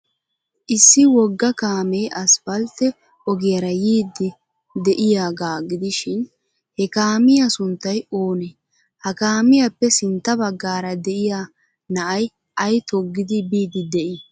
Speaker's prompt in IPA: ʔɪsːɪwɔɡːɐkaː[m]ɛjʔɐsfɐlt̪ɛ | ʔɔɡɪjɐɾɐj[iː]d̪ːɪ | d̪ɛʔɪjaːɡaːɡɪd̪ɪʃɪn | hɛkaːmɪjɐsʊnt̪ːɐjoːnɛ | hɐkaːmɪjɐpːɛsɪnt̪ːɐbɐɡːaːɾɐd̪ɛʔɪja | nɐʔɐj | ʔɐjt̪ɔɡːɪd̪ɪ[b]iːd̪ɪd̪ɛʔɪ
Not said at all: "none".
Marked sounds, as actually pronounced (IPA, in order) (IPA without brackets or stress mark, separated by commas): m, iː, b